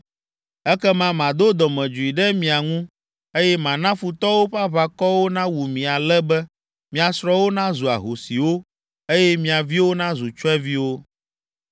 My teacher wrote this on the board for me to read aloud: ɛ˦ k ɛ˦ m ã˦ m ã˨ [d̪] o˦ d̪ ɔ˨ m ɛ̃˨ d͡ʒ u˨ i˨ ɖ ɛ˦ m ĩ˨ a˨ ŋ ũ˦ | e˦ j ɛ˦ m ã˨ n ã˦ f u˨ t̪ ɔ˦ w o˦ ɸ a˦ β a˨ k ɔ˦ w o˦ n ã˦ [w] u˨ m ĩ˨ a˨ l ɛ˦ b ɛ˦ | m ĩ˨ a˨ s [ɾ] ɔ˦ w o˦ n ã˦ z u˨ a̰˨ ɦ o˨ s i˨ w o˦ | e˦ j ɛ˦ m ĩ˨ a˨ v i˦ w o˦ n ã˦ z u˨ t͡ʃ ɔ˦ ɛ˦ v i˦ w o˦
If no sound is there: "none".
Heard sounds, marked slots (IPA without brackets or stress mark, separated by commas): d̪, w, ɾ